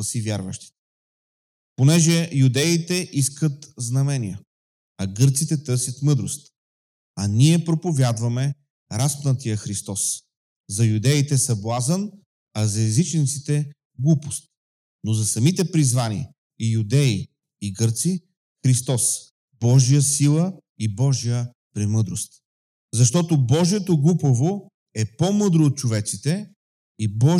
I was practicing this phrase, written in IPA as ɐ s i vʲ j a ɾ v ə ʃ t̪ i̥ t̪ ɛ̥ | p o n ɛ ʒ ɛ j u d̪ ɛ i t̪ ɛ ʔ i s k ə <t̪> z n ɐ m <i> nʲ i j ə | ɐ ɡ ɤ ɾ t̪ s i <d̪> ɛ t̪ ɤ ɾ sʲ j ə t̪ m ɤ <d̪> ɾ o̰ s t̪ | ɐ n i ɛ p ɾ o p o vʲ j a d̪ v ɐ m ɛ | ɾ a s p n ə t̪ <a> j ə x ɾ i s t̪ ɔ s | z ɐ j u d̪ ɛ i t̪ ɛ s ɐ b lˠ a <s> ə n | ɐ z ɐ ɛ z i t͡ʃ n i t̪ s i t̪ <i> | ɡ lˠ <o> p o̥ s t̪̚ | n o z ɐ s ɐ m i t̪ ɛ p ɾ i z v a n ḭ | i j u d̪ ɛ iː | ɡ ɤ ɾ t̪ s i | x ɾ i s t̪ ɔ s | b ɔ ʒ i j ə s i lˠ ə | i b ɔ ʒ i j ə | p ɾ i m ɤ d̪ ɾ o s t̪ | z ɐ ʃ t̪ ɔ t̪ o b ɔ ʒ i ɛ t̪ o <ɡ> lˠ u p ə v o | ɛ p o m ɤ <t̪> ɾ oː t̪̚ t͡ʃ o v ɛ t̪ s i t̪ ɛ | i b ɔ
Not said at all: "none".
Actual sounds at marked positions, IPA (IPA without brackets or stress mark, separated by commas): t̪, ɛ, t̪, d̪, i, z, ɛ, u, ɡ, d̪